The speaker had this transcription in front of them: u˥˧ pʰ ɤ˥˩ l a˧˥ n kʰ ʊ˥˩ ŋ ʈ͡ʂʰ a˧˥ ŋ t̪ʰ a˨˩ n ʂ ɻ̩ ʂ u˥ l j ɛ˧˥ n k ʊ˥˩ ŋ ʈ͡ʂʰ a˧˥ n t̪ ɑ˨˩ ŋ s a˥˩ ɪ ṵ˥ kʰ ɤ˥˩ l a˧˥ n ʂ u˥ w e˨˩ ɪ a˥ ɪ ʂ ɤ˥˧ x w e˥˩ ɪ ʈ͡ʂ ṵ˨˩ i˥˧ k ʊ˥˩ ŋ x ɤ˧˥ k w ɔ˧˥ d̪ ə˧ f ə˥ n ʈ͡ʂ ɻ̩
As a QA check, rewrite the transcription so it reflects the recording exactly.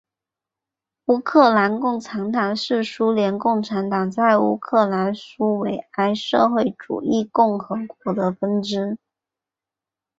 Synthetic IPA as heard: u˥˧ kʰ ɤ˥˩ l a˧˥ n k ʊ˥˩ ŋ ʈ͡ʂʰ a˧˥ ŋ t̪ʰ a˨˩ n ʂ ɻ̩ ʂ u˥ l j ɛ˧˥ n k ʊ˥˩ ŋ ʈ͡ʂʰ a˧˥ n t̪ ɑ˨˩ ŋ t͡s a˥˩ ɪ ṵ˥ kʰ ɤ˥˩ l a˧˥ n ʂ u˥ w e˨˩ ɪ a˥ ɪ ʂ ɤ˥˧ x w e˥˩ ɪ ʈ͡ʂ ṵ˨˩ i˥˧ k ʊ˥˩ ŋ x ɤ˧˥ k w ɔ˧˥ d̪ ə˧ f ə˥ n ʈ͡ʂ ɻ̩

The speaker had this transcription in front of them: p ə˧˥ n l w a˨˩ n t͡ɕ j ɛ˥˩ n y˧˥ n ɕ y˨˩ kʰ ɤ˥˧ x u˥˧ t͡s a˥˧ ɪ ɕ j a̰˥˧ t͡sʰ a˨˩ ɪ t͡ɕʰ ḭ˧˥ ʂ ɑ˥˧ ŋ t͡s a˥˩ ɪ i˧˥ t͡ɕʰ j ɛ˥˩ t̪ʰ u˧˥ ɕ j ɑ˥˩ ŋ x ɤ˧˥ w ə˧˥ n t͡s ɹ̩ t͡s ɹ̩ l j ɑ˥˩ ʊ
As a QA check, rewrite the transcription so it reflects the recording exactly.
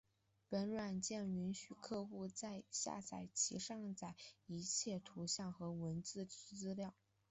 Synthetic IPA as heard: p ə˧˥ n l w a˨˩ n t͡ɕ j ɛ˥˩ n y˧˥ n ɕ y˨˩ kʰ ɤ˥˧ x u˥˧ t͡s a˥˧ ɪ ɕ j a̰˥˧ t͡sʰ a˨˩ ɪ t͡ɕʰ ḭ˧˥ ʂ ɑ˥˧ ŋ t͡s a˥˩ ɪ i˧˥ t͡ɕʰ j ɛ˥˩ t̪ʰ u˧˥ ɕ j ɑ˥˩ ŋ x ɤ˧˥ w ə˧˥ n t͡s ɹ̩ t͡s ɹ̩ l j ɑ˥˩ ʊ

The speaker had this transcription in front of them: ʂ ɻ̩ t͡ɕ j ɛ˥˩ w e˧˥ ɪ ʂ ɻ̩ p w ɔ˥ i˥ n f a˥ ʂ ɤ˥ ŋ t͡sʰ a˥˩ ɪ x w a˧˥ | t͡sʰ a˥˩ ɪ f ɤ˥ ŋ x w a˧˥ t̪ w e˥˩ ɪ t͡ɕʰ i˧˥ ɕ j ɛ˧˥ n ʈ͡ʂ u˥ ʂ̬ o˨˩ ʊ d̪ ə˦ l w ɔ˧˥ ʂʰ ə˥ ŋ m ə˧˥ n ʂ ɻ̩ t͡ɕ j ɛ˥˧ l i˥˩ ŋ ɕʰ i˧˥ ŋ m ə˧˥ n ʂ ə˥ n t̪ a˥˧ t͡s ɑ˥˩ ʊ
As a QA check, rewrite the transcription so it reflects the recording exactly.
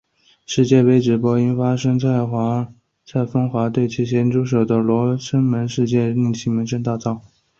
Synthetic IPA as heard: ʂ ɻ̩ t͡ɕ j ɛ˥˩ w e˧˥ ɪ ʈ͡ʂ ɻ̩ p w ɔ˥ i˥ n f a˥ ʂ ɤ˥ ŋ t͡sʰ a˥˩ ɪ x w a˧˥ | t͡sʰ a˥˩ ɪ f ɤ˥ ŋ x w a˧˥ t̪ w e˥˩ ɪ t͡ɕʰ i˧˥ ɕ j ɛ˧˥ n ʈ͡ʂ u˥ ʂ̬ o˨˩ ʊ d̪ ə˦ l w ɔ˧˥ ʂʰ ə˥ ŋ m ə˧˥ n ʂ ɻ̩ t͡ɕ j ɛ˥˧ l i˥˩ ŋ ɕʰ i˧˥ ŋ m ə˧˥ n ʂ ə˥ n t̪ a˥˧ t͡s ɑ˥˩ ʊ

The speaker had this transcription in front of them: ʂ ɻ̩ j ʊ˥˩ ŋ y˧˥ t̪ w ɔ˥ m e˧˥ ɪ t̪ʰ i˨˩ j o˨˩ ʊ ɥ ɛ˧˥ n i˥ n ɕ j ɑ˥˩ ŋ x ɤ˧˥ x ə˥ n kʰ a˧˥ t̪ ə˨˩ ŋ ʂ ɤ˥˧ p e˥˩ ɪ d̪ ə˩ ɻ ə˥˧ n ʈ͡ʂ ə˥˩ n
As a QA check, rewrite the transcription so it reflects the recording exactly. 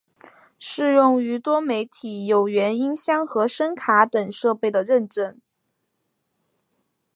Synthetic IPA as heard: ʂ ɻ̩ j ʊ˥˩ ŋ y˧˥ t̪ w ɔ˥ m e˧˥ ɪ t̪ʰ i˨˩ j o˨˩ ʊ ɥ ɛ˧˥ n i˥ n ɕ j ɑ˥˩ ŋ x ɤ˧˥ ʂ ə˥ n kʰ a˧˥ t̪ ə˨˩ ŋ ʂ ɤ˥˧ p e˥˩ ɪ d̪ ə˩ ɻ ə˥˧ n ʈ͡ʂ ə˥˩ n

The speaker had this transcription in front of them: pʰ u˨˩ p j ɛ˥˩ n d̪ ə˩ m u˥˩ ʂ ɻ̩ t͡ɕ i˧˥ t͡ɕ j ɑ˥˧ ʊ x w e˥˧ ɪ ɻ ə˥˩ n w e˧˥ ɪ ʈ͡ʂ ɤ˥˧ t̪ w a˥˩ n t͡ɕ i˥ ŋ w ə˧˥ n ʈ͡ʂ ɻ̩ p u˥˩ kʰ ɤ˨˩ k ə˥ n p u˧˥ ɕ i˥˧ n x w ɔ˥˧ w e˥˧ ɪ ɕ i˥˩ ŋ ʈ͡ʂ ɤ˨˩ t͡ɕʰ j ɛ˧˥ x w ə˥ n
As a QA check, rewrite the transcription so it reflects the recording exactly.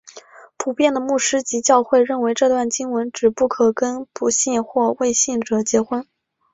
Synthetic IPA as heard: pʰ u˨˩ p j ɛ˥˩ n d̪ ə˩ m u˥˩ ʂ ɻ̩ t͡ɕ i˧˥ t͡ɕ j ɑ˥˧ ʊ x w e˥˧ ɪ ɻ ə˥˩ n w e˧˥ ɪ ʈ͡ʂ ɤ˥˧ t̪ w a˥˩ n t͡ɕ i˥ ŋ w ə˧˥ n ʈ͡ʂ ɻ̩ p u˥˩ kʰ ɤ˨˩ k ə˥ n p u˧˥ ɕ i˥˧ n x w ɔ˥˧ w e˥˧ ɪ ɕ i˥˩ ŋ ʈ͡ʂ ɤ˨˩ t͡ɕ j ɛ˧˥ x w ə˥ n

